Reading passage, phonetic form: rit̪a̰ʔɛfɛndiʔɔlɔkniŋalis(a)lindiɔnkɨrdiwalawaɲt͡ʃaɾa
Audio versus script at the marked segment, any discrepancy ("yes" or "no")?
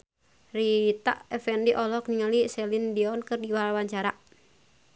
yes